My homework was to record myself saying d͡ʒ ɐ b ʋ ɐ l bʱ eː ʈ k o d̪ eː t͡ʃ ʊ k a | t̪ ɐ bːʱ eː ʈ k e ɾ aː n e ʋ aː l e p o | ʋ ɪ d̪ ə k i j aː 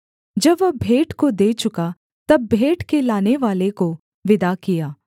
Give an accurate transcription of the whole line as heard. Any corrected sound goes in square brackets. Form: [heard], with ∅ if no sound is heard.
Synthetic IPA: d͡ʒ ɐ b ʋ ɐ [∅] bʱ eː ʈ k o d̪ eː t͡ʃ ʊ k a | t̪ ɐ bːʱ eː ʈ k e [l] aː n e ʋ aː l e [k] o | ʋ ɪ d̪ [a] k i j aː